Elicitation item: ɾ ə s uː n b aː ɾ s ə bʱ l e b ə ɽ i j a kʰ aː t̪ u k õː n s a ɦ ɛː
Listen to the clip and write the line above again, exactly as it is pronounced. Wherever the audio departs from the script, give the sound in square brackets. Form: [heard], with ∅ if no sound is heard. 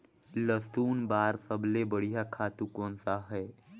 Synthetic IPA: [l] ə s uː n b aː ɾ s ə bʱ l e b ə ɽ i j a kʰ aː t̪ u k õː n s a ɦ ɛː